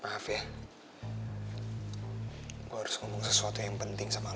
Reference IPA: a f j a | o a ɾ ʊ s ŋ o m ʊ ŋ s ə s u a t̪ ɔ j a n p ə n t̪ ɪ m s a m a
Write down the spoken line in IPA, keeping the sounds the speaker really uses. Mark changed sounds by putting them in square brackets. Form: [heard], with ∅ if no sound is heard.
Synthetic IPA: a f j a | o a ɾ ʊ s ŋ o m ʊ ŋ s ə s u a t̪ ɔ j a [ŋ] p ə n t̪ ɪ [ŋ] s a m a